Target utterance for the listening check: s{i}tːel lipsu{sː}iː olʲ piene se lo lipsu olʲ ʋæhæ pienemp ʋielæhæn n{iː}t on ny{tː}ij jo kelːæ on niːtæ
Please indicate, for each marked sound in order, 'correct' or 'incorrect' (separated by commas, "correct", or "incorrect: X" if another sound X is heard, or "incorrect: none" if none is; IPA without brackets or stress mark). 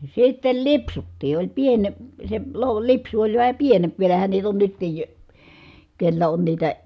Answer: correct, incorrect: tː, correct, correct